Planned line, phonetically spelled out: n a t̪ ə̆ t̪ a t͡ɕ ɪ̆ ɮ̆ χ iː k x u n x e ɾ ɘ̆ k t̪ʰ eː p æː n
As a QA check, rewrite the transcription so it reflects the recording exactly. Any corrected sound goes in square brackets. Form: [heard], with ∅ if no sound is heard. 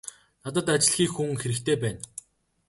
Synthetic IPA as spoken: n a t̪ ə̆ t̪ a t͡ɕ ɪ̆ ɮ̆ [x] iː k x u [ŋ] x e ɾ ɘ̆ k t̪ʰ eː p æː n